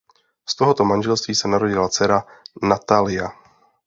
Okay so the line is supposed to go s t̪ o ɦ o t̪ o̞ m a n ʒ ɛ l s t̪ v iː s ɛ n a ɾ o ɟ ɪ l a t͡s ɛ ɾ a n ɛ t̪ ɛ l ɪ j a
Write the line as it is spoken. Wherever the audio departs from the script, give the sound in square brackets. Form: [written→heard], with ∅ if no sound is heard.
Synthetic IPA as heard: s t̪ o ɦ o t̪ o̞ m a n ʒ ɛ l s t̪ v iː s ɛ n a ɾ o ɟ ɪ l a t͡s ɛ ɾ a n [ɛ→a] t̪ [ɛ→a] l ɪ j a